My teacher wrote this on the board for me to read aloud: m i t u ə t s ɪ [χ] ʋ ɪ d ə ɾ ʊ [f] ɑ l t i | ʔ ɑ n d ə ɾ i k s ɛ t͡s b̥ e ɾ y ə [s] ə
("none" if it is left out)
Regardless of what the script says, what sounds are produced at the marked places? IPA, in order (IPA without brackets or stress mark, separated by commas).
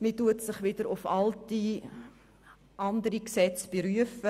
χ, f, f